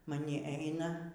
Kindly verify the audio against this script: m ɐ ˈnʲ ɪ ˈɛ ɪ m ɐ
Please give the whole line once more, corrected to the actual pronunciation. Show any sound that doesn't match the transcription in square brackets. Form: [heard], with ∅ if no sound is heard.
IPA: m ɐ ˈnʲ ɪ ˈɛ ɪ [n] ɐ